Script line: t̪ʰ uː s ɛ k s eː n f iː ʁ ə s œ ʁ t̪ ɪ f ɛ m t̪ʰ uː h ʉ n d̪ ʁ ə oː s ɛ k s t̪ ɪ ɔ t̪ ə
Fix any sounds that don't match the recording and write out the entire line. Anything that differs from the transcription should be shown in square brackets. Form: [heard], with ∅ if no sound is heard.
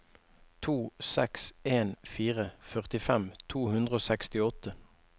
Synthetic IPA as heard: t̪ʰ uː s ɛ k s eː n f iː ʁ ə [f] œ ʁ t̪ ɪ f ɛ m t̪ʰ uː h ʉ n d̪ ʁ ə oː s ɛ k s t̪ ɪ ɔ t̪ ə